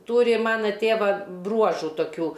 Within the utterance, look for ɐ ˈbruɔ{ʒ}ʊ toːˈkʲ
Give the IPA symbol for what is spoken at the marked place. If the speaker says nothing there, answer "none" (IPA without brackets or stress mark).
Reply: ʒ